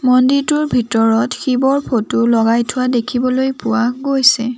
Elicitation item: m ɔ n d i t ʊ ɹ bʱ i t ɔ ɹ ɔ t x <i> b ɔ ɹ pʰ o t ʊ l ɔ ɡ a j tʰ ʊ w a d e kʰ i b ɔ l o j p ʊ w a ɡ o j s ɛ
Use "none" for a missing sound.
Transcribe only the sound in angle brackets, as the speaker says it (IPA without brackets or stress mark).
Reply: i